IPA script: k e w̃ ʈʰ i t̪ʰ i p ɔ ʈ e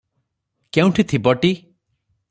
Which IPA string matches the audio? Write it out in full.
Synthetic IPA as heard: k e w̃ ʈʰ i t̪ʰ i b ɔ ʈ i